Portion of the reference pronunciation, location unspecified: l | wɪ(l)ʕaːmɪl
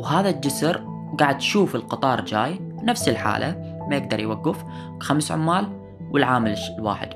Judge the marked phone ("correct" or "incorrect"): correct